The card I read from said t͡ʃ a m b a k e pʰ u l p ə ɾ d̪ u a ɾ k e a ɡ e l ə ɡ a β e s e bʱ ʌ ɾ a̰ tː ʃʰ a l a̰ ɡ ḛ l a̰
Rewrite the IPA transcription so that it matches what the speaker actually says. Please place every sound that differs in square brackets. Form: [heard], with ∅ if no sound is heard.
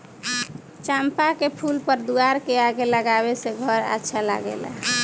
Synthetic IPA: t͡ʃ a m [p] a k e pʰ u l p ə ɾ d̪ u a ɾ k e a ɡ e l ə ɡ a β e s e [ɡʱ] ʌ ɾ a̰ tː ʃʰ a l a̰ ɡ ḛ l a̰